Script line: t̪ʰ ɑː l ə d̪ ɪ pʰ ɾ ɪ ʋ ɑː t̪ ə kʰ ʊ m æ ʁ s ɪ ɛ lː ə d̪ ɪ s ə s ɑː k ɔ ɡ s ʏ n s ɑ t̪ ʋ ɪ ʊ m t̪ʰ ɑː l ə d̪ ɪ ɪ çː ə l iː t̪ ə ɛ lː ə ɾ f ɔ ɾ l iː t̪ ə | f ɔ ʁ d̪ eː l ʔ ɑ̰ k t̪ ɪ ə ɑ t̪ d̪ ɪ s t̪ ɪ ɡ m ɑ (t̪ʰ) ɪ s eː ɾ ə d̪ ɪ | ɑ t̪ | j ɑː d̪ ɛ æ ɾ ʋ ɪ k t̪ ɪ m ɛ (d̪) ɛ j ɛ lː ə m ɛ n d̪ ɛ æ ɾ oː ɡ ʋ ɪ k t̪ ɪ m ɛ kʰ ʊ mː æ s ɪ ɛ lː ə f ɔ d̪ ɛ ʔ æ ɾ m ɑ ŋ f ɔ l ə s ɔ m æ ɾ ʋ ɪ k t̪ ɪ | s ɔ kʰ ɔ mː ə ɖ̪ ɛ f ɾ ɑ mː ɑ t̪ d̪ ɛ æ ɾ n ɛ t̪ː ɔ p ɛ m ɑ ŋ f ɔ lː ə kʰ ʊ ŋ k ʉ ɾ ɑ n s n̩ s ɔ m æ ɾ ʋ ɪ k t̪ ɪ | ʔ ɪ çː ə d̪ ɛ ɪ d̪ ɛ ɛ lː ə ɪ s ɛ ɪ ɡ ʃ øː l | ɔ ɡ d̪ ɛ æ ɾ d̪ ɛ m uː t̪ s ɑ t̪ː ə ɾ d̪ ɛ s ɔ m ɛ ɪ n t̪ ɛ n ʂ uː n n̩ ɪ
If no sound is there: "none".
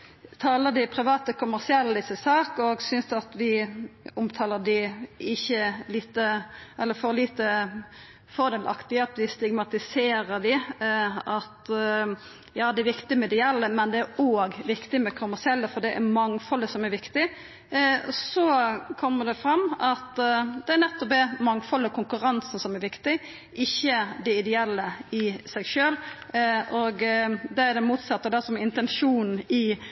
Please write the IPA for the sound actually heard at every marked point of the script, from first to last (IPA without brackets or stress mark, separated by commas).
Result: t̪, d̪